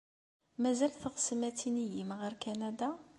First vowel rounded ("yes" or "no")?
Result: no